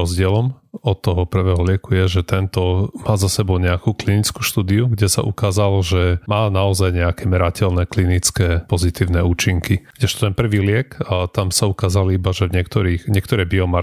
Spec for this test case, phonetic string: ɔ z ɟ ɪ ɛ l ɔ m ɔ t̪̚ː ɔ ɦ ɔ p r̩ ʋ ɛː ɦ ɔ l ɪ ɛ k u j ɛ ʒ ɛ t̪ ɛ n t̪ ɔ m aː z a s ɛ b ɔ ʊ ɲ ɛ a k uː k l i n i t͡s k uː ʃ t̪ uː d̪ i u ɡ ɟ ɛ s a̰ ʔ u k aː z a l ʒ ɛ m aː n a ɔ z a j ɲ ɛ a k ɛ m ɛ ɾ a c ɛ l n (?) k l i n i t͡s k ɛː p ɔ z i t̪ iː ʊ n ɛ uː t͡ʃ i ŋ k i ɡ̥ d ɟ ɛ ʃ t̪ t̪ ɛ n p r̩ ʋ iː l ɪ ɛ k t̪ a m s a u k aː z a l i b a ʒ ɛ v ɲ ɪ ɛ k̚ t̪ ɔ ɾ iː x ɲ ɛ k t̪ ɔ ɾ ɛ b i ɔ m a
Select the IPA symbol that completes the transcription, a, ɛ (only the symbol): ɛ